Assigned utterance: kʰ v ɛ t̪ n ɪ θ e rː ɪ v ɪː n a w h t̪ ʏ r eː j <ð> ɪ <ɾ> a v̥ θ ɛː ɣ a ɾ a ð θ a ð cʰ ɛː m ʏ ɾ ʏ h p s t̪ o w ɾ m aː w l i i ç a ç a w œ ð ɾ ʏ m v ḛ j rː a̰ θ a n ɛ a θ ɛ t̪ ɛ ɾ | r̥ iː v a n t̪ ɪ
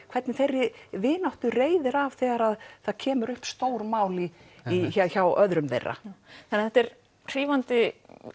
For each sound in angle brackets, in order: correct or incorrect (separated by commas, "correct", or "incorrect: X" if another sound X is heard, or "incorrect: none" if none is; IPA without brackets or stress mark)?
correct, correct